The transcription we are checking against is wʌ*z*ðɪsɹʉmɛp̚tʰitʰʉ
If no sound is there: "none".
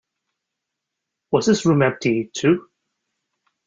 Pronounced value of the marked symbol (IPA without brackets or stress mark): z